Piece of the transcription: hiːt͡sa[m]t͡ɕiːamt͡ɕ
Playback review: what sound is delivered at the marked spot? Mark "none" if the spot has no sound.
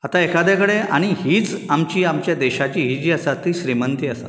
m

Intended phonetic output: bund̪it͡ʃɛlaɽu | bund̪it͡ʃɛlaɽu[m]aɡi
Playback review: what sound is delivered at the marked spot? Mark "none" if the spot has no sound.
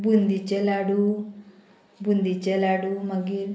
m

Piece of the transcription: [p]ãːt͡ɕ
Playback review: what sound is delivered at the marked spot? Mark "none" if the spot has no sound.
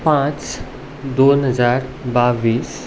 p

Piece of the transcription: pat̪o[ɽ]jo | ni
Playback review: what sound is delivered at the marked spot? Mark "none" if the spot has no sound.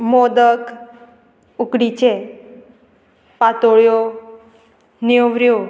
ɭ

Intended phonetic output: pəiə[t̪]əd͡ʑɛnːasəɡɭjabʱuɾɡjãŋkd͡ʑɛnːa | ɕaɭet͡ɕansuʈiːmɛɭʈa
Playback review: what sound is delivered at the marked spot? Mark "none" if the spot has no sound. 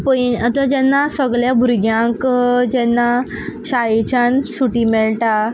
t̪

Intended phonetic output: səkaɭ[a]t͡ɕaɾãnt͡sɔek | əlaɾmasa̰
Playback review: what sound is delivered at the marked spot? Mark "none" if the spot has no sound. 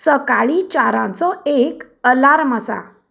i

